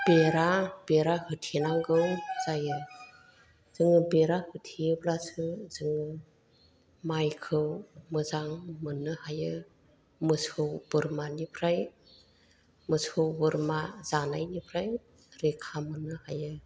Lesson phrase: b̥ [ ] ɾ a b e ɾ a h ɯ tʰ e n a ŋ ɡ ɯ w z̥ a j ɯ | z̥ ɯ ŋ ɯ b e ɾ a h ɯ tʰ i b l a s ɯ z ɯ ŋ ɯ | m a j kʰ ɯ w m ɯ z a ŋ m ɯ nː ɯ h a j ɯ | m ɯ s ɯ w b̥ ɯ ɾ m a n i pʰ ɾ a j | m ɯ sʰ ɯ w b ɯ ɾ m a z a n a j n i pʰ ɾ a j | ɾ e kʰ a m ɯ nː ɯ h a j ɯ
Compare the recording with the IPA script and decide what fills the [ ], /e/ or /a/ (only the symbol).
e